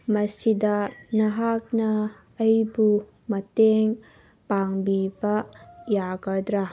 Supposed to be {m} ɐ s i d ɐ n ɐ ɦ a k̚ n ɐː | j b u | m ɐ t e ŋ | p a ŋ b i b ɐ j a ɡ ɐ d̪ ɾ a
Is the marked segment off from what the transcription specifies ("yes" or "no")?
no